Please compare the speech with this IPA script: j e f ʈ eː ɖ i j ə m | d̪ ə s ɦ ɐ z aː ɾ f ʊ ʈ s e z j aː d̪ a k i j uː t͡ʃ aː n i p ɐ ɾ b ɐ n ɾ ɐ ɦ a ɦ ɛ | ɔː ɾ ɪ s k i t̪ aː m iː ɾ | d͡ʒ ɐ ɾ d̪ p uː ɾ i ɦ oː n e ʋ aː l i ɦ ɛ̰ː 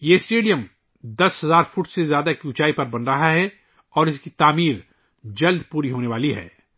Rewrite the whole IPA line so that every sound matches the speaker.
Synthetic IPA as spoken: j e s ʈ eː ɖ i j ə m | d̪ ɐ s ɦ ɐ z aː ɾ f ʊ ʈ s e z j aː d̪ a k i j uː t͡ʃ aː i p ɐ ɾ b ɐ n ɾ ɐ ɦ a ɦ ɛ | ɔː ɾ ɪ s k i t̪ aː m iː ɾ | d͡ʒ ɐ l d̪ p uː ɾ i ɦ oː n e ʋ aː l i ɦ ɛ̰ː

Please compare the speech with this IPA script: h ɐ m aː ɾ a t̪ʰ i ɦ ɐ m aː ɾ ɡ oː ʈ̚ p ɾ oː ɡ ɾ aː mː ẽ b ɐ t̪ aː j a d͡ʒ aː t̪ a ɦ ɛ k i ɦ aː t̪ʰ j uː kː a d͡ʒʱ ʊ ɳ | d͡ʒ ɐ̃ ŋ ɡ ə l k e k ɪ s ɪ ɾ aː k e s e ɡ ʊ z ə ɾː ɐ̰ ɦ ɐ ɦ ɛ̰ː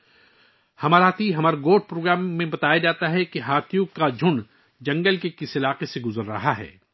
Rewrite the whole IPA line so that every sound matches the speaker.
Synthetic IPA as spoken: h ɐ m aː ɾ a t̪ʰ i ɦ ɐ m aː ɾ ɡ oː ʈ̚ p ɾ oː ɡ ɾ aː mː ẽ b ɐ t̪ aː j a d͡ʒ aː t̪ a ɦ ɛ k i ɦ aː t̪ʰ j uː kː a d͡ʒʱ ʊ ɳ | d͡ʒ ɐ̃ ŋ ɡ ə l k e k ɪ s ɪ l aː q e s e ɡ ʊ z ə ɾː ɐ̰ ɦ a ɦ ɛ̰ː

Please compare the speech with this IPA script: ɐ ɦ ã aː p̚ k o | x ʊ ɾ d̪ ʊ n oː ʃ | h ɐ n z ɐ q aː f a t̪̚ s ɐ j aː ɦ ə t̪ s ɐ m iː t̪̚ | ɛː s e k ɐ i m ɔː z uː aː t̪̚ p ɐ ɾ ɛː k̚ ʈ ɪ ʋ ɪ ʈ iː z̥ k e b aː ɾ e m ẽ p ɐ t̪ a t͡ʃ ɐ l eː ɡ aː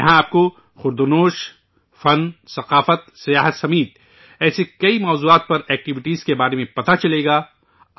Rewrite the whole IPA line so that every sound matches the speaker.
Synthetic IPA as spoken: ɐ ɦ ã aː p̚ k o | x ʊ ɾ d̪ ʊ n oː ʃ | f ɐ n s ɐ q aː f ə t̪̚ s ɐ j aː ɦ ə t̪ s ɐ m iː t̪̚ | ɛː s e k ɐ i m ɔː z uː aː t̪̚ p ɐ ɾ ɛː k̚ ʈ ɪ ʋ ɪ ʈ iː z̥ k e b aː ɾ e m ẽ p ɐ t̪ a t͡ʃ ɐ l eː ɡ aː

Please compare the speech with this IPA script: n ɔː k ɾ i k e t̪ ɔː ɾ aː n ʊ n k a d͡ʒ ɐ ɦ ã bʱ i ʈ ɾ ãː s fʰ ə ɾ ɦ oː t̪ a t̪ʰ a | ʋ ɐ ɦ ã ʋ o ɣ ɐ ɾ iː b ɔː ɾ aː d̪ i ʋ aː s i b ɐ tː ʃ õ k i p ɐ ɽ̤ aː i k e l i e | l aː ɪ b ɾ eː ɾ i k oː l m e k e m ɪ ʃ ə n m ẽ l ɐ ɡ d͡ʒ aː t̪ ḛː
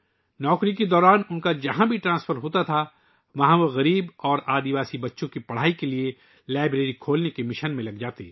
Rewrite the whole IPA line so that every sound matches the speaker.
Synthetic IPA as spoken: n ɔː k ɾ i k e d̪ ɔː ɾ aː n ʊ n k a d͡ʒ ɐ ɦ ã bʱ i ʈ ɾ ãː s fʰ ə ɾ ɦ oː t̪ a t̪ʰ a | ʋ ɐ ɦ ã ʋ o ɣ ɐ ɾ iː b ɔː ɾ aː d̪ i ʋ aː s i b ɐ tː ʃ õ k i p ɐ ɽ̤ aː i k e l i e | l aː ɪ b ɾ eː ɾ i kʰ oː l n e k e m ɪ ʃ ə n m ẽ l ɐ ɡ d͡ʒ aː t̪ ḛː

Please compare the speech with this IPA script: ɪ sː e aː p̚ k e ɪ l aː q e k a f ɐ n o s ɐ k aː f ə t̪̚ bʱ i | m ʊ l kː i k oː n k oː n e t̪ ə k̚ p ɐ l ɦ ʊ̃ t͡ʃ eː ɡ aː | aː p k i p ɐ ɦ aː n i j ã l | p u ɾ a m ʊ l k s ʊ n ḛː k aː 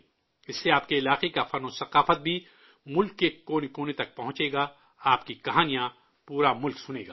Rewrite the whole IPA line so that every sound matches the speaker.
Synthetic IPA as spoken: ɪ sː e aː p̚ k e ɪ l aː q e k a f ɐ n o s ɐ q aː f ə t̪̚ bʱ i | m ʊ l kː e k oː n k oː n e t̪ ɐ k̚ p ɐ ɦ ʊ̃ t͡ʃ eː ɡ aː | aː p k i k ɐ ɦ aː n i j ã | p uː ɾ a m ʊ l k s ʊ n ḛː ɡ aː

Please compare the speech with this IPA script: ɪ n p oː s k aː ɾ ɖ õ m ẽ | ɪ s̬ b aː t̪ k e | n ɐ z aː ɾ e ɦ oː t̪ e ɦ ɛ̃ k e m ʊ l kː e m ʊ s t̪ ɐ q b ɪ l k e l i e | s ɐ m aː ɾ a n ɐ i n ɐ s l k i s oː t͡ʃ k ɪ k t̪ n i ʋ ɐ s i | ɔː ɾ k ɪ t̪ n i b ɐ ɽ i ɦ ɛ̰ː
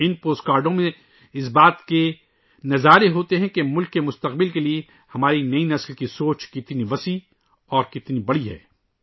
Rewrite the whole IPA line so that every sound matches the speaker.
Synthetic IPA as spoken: ɪ n p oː s k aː ɾ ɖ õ m ẽ | ɪ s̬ b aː t̪ k e | n ɐ z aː ɾ e ɦ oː t̪ e ɦ ɛ̃ k e m ʊ l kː e m ʊ s t̪ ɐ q b ɪ l k e l i e | h ɐ m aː ɾ i n ɐ i n ɐ s l k i s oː t͡ʃ k ɪ t̪ n i ʋ ɐ s i | ɔː ɾ k ɪ t̪ n i b ɐ ɽ i ɦ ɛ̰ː

